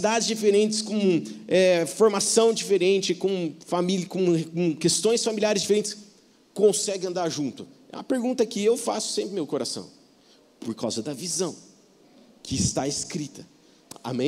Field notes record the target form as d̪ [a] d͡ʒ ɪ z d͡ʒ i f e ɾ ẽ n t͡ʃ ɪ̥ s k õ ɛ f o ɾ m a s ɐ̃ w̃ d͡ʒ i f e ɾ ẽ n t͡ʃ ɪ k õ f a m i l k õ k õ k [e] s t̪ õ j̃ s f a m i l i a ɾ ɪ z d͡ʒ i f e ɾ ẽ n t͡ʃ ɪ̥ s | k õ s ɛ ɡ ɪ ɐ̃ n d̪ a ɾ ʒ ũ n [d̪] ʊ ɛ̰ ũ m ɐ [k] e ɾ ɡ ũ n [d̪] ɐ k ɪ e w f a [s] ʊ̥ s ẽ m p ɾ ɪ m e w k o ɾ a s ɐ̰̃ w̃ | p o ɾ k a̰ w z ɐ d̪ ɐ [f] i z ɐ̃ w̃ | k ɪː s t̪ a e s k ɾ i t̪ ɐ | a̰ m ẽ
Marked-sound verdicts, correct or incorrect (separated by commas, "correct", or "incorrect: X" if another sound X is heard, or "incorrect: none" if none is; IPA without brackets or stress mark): correct, correct, incorrect: t̪, incorrect: p, incorrect: t̪, correct, incorrect: v